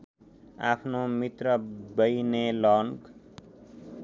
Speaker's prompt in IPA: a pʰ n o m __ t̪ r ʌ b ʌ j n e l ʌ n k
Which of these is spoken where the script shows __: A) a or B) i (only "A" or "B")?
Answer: B